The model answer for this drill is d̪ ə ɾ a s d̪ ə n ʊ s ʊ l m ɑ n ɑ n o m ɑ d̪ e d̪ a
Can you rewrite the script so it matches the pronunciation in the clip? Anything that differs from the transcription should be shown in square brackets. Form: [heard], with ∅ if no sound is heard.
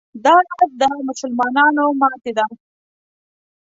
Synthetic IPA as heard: d̪ [ɑ] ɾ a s d̪ ə [m] ʊ s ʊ l m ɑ n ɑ n o m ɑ [t̪] e d̪ a